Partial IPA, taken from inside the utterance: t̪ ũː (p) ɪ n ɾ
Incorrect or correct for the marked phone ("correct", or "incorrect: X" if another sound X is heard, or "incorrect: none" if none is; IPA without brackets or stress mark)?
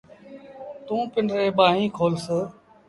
correct